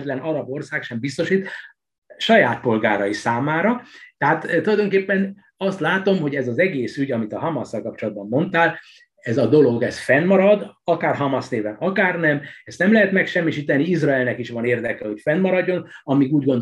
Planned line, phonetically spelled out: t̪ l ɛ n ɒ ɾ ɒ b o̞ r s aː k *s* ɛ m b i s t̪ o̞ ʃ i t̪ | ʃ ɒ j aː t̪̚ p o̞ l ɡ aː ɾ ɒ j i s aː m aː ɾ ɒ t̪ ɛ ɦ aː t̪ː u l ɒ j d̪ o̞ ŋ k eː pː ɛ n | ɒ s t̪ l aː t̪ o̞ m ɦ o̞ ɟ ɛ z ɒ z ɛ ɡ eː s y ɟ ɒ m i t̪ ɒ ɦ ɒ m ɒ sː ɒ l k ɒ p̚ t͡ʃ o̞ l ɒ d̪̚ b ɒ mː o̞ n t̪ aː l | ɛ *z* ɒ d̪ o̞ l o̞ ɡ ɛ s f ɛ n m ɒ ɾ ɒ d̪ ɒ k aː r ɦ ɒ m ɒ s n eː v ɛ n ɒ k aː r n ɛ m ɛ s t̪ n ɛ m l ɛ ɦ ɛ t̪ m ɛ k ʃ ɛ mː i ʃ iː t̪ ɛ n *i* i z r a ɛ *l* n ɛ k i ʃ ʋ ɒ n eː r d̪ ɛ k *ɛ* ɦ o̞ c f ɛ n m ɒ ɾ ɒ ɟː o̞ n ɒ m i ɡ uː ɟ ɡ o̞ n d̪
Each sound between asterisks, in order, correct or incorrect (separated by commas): incorrect, correct, correct, correct, correct